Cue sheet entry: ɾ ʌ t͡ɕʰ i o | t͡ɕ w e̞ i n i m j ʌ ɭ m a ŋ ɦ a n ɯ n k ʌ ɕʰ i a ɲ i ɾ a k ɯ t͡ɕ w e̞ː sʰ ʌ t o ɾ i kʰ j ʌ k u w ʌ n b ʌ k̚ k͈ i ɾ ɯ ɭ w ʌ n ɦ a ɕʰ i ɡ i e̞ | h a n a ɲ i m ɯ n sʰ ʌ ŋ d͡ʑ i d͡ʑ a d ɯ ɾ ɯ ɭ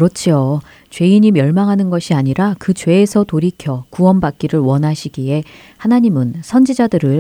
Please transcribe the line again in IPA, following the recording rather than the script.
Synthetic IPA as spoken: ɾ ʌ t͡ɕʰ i o | t͡ɕ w e̞ i ɲ i m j ʌ ɭ m a ŋ ɦ a n ɯ n ɡ ʌ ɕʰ i a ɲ i ɾ a k ɯ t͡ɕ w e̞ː sʰ ʌ t o ɾ i kʰ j ʌ k u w ʌ n b a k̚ k͈ i ɾ ɯ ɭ w ʌ n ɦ a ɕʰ i ɡ i e̞ | h a n a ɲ i m ɯ n sʰ ʌ n d͡ʑ i d͡ʑ a d ɯ ɾ ɯ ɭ